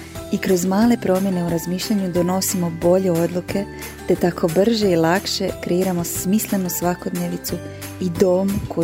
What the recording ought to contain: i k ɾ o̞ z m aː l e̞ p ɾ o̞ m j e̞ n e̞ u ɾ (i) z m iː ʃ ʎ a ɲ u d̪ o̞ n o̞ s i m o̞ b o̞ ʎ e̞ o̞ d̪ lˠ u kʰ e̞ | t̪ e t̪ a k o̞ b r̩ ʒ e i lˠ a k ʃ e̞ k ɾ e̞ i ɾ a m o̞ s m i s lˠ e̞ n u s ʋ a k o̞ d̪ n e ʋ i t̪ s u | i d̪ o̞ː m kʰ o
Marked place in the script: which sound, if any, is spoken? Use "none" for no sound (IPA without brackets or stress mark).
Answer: a